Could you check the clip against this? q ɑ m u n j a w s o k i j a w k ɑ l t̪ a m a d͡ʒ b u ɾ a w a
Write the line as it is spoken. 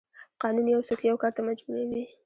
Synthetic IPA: q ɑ n u n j a w s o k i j a w k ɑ ɾ t̪ a m a d͡ʒ b u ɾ a w i